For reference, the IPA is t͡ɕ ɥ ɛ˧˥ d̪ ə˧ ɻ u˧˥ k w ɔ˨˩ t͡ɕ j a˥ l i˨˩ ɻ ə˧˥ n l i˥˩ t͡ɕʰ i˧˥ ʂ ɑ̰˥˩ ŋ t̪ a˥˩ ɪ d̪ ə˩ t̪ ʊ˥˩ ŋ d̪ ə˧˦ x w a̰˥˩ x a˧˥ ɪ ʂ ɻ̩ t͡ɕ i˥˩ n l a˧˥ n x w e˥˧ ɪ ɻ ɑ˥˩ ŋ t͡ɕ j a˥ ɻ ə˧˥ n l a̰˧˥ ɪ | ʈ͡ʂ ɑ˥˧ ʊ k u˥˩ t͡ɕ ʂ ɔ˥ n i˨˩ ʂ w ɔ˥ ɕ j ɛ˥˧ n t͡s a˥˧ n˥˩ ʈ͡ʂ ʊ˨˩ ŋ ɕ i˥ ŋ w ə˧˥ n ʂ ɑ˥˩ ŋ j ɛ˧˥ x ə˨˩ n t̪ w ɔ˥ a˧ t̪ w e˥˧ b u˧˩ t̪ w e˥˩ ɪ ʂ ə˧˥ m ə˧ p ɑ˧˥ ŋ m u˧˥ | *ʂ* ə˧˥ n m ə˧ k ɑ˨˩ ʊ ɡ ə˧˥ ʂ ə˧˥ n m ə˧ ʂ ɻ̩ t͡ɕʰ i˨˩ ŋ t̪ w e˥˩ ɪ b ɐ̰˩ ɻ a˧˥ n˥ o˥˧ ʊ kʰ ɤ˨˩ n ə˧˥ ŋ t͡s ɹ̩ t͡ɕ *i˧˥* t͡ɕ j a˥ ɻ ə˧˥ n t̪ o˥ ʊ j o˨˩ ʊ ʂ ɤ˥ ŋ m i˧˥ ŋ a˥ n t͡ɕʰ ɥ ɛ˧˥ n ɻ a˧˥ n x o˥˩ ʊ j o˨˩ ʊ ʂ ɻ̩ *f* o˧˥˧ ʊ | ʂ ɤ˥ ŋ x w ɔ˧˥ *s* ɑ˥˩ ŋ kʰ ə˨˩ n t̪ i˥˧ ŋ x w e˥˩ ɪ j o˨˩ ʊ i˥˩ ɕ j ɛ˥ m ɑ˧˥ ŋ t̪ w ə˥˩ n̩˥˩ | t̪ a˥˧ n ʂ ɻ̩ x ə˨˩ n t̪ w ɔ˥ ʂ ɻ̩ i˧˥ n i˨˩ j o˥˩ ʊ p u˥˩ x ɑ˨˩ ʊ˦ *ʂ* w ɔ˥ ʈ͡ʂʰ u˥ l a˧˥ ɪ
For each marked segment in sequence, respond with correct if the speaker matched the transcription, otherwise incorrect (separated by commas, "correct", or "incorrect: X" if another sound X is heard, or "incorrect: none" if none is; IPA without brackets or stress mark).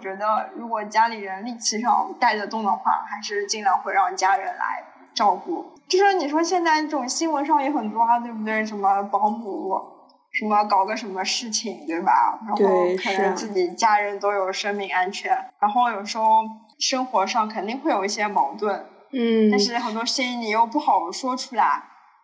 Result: correct, incorrect: i˨˩, incorrect: x, incorrect: ʂ, correct